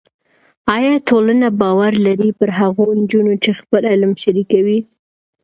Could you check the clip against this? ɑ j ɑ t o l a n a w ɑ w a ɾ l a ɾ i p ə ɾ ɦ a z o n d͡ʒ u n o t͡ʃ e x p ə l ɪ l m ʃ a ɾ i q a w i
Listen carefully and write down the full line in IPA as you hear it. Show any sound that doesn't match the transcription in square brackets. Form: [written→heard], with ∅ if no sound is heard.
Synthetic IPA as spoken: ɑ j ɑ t o l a n a [w→b] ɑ w a ɾ l a ɾ i p ə ɾ ɦ a [z→ɣ] o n d͡ʒ u n o t͡ʃ e x p ə l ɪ l m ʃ a ɾ i [q→k] a w i